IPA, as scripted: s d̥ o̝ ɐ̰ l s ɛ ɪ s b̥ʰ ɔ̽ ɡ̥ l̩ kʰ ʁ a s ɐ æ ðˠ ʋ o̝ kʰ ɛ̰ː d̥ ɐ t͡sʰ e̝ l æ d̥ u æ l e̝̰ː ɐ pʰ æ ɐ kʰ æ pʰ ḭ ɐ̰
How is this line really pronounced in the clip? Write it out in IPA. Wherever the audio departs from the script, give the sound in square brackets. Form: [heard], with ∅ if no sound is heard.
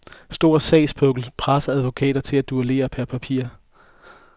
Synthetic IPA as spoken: s d̥ o̝ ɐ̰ [∅] s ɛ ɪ s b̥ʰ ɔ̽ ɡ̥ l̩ [pʰ] ʁ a s ɐ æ ðˠ ʋ o̝ kʰ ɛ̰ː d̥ ɐ t͡sʰ e̝ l æ d̥ u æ l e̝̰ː ɐ pʰ æ ɐ [pʰ] æ pʰ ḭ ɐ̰